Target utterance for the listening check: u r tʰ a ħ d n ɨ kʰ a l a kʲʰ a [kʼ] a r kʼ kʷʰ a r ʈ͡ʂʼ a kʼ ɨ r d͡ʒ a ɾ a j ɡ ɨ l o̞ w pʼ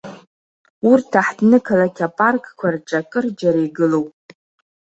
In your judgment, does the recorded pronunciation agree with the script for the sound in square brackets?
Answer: no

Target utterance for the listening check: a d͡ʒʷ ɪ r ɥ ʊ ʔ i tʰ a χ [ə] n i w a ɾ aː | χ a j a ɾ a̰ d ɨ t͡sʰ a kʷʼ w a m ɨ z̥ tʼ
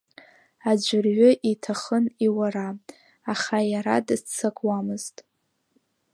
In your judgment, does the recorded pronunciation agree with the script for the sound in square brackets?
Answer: yes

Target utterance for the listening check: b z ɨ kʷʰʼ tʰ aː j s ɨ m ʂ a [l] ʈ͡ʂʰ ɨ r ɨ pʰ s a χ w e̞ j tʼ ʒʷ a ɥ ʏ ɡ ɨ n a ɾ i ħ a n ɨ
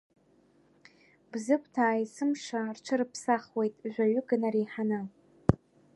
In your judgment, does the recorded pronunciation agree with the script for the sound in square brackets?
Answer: no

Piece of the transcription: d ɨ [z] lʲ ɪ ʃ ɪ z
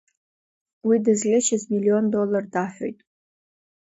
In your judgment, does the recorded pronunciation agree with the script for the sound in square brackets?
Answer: yes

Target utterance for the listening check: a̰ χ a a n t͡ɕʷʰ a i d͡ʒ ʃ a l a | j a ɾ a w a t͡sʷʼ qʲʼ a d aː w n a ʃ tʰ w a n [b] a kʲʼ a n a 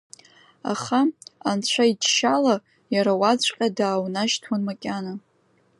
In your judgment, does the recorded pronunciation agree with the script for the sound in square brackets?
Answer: no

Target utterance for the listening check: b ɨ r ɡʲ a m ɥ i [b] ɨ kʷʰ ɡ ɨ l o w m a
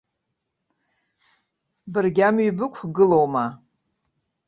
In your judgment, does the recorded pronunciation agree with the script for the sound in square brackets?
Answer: yes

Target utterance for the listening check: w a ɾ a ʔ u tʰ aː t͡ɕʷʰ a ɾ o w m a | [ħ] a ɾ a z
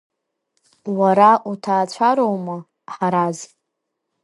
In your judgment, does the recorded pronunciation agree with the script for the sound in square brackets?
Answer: yes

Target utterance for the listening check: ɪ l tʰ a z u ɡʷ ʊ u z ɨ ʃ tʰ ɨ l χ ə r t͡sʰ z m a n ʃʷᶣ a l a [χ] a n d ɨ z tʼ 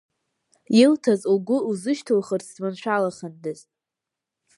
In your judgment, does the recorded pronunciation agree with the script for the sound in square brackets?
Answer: yes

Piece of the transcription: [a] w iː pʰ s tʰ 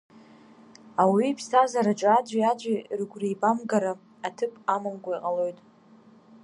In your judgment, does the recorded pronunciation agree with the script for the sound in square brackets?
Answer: yes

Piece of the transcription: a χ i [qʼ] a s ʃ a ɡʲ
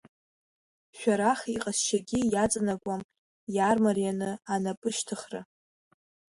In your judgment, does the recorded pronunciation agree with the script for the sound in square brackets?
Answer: yes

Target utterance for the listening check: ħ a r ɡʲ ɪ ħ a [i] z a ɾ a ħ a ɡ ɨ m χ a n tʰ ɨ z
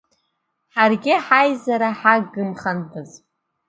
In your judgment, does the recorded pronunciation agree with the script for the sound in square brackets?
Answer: no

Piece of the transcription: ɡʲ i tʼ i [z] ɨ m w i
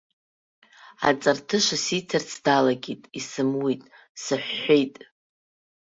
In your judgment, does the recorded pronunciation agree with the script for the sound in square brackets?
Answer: no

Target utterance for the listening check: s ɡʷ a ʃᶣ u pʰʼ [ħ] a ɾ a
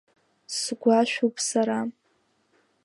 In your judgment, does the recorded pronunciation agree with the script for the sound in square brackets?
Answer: no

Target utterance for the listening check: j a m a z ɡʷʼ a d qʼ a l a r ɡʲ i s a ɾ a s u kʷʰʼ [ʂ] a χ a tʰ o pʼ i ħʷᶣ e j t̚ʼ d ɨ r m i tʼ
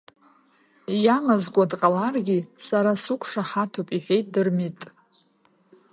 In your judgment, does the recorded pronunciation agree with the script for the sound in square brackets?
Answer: yes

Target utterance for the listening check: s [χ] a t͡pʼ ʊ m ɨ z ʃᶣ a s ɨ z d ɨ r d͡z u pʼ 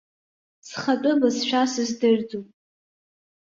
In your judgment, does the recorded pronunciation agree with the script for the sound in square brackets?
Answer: yes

